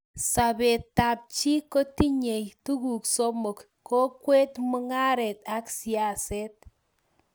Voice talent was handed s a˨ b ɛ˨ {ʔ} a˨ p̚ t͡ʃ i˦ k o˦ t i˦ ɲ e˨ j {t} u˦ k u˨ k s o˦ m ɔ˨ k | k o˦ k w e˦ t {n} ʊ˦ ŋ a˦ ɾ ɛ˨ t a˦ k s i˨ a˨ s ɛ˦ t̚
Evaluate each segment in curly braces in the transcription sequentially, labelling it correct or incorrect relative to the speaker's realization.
incorrect, correct, incorrect

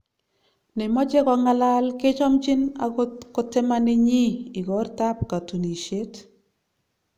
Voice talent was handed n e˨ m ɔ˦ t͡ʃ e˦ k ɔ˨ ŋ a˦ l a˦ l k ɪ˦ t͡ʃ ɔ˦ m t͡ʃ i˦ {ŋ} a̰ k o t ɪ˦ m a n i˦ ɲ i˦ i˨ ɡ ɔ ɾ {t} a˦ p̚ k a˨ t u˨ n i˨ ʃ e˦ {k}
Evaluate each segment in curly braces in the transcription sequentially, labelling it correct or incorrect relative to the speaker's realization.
incorrect, correct, incorrect

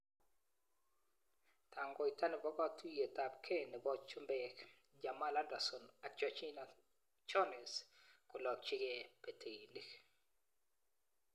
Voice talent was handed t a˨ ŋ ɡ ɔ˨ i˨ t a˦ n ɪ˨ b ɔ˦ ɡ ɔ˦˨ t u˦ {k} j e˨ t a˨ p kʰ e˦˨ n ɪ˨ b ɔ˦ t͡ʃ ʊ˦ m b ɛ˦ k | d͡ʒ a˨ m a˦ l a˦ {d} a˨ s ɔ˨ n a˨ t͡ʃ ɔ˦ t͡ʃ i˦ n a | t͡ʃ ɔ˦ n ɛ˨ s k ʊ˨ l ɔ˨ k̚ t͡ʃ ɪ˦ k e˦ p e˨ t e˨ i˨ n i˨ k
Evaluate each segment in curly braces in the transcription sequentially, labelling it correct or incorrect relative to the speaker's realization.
incorrect, correct

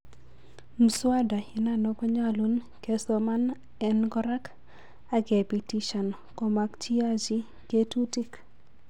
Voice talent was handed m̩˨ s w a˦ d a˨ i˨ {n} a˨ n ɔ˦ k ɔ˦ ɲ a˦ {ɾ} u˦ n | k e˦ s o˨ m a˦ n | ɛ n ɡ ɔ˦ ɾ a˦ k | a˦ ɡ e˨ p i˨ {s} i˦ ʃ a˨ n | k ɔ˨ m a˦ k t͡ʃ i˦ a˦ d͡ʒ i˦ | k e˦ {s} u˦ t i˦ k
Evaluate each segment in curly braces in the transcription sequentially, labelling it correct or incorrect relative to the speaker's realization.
correct, incorrect, incorrect, incorrect

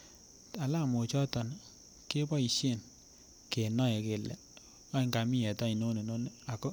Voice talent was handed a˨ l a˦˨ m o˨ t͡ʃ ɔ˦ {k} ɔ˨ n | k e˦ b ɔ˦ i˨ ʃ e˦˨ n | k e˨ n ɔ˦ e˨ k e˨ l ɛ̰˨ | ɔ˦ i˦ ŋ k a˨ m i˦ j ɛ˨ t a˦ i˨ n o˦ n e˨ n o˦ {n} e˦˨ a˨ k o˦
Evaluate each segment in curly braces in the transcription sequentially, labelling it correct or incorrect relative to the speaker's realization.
incorrect, correct

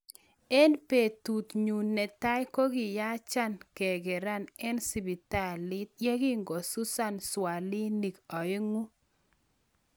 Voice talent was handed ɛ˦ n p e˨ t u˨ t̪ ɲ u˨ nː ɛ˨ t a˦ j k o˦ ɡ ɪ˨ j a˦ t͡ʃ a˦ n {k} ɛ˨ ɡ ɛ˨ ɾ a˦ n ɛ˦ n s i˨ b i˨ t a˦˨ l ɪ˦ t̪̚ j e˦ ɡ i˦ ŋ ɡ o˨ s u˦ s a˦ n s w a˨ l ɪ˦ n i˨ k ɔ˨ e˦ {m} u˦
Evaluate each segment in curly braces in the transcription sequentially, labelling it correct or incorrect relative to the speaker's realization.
correct, incorrect

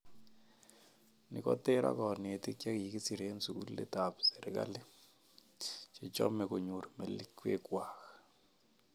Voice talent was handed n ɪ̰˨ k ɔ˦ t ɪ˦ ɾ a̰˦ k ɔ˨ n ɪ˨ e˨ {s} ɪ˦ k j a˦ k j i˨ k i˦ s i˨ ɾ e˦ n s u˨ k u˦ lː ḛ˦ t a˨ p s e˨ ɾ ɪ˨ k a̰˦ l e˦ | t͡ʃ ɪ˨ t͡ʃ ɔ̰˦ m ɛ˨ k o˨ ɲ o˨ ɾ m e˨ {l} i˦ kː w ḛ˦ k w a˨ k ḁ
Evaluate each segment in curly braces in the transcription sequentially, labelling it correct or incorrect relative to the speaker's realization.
incorrect, correct

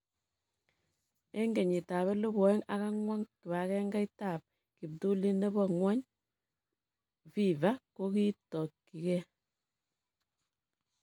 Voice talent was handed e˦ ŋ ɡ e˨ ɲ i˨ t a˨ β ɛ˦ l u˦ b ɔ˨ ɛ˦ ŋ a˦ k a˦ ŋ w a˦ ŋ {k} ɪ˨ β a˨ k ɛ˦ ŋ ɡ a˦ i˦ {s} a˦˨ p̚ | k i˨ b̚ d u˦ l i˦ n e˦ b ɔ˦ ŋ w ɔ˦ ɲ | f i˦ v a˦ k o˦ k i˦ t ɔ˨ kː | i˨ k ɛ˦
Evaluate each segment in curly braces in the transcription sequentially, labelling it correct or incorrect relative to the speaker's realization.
correct, incorrect

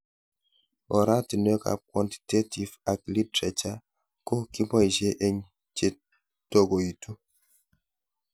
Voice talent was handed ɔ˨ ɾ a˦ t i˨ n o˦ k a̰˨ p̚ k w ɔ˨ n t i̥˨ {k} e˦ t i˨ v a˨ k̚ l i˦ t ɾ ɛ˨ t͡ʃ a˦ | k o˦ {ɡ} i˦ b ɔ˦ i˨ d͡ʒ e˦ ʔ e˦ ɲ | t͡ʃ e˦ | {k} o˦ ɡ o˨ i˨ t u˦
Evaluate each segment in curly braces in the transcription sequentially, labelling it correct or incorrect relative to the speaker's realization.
incorrect, incorrect, incorrect

